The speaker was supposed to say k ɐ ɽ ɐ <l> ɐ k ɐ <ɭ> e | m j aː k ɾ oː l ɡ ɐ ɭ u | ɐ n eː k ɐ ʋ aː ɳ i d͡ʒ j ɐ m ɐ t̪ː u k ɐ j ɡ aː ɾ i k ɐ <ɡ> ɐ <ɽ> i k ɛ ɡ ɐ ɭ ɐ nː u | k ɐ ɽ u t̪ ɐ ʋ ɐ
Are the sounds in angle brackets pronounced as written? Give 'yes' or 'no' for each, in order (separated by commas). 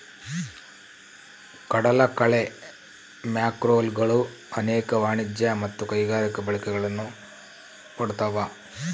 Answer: yes, yes, no, no